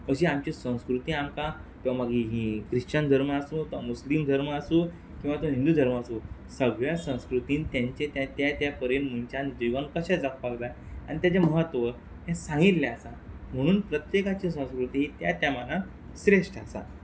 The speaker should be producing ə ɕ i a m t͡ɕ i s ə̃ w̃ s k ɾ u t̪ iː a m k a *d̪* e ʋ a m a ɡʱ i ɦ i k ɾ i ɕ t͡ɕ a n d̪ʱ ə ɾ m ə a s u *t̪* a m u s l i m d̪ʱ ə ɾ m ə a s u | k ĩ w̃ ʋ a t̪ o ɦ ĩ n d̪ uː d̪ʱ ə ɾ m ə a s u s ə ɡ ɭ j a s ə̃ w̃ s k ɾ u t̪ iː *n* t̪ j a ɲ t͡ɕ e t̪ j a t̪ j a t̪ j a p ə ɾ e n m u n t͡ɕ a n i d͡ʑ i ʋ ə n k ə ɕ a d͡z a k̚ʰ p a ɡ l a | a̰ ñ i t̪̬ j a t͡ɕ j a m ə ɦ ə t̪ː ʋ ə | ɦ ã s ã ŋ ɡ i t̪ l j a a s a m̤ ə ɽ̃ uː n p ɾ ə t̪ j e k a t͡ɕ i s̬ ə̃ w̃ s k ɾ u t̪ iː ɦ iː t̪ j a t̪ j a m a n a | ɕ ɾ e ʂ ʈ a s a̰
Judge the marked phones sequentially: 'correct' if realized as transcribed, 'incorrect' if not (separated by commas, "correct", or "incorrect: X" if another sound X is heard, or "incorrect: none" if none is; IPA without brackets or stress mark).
incorrect: t̪, correct, correct